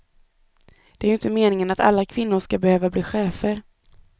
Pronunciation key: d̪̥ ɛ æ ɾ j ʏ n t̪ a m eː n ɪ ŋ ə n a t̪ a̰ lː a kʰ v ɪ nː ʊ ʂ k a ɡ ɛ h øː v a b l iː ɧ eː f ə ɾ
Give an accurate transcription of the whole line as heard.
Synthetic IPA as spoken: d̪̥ ɛ æ ɾ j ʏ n t̪ ə m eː n ɪ ŋ ə n a t̪ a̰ lː a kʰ v ɪ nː ʊ ʂ k a b ɛ h øː v a b l iː ɧ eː f ə ɾ